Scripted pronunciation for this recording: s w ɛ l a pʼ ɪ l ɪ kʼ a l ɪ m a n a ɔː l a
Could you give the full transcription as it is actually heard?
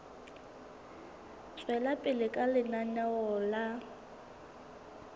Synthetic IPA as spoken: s w ɛ l a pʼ ɪ l ɪ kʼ a l ɪ n a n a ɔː l a